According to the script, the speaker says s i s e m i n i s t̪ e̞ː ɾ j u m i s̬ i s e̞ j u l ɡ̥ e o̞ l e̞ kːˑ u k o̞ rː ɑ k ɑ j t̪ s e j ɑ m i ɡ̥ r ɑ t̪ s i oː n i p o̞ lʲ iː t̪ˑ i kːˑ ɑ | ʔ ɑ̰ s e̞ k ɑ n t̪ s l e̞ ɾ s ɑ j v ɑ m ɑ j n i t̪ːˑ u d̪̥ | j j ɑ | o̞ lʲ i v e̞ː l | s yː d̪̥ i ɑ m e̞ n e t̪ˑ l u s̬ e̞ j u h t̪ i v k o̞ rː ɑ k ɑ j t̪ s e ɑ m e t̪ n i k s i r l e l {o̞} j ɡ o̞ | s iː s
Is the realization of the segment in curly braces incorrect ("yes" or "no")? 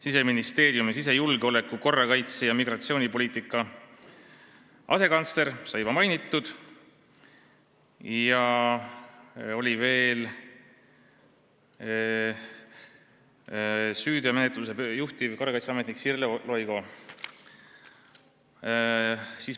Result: no